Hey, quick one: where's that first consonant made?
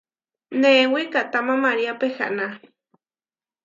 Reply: tongue tip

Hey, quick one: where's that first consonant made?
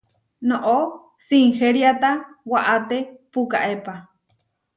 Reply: tongue tip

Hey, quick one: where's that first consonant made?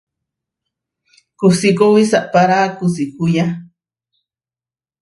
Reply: velum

